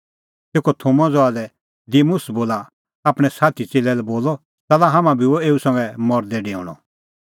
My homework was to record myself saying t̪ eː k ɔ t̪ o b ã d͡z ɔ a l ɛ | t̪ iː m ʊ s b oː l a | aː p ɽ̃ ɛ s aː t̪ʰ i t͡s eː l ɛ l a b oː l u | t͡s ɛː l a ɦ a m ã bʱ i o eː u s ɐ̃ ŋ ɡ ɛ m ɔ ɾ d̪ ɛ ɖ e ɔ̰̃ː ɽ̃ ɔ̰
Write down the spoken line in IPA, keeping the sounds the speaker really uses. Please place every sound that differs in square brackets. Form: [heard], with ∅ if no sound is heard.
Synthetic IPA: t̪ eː k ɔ [t̪ʰ] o [m] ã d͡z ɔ a l ɛ | [d̪] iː m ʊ s b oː l a | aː p ɽ̃ ɛ s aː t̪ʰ i t͡s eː l ɛ l [ɛ] b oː l [ɔ] | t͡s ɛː l a ɦ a m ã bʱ i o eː u s ɐ̃ ŋ ɡ ɛ m ɔ ɾ d̪ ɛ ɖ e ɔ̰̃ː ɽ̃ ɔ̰

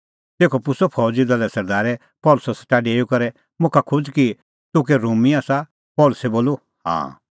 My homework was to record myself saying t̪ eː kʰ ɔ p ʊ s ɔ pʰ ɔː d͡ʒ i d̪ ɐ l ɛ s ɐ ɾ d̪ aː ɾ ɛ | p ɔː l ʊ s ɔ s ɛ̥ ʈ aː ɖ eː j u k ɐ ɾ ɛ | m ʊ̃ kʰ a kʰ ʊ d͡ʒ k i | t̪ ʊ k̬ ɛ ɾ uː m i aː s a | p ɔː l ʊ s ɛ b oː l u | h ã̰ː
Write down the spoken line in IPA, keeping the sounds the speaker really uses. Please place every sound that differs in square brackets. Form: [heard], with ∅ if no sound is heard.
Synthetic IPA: t̪ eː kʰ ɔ p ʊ s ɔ pʰ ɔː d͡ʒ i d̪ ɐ l ɛ s ɐ ɾ d̪ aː ɾ ɛ | p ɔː l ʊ s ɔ s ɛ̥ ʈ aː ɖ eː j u k ɐ ɾ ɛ | m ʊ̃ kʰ a kʰ ʊ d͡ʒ k i | t̪ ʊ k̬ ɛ ɾ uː m i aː s a | p ɔː l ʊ s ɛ b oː l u | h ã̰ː

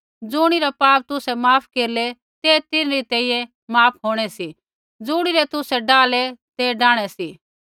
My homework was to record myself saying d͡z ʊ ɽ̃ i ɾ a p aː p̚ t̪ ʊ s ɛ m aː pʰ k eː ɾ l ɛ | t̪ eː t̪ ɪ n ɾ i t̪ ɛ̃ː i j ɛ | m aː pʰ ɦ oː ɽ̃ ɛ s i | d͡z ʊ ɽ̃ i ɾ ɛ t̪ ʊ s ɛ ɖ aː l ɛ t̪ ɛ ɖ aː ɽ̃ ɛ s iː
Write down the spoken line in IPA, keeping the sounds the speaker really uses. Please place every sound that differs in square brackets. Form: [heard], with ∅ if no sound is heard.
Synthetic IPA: d͡z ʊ ɽ̃ i ɾ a p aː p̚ t̪ ʊ s ɛ m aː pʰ k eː ɾ l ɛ | t̪ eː t̪ ɪ n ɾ i t̪ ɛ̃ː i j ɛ | m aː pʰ ɦ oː ɽ̃ ɛ s i | d͡z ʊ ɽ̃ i ɾ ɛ t̪ ʊ s ɛ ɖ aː l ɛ t̪ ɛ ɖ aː ɽ̃ ɛ s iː

